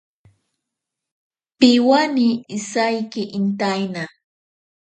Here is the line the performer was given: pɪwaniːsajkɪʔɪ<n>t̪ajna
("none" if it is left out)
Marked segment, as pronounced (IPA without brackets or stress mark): n